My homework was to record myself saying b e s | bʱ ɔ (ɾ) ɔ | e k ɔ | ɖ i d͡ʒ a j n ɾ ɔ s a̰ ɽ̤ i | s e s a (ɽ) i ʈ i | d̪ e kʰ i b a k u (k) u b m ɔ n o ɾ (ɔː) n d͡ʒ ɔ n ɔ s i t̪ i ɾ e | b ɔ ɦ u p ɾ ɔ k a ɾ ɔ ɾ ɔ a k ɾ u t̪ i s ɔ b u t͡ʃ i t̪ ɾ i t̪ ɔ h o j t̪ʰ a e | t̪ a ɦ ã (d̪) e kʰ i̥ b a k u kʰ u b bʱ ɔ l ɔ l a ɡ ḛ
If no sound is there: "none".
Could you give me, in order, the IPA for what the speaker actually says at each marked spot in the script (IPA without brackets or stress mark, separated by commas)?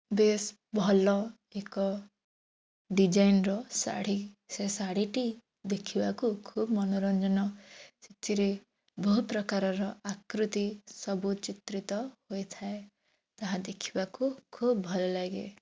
l, ɽ, kʰ, ɔ, d̪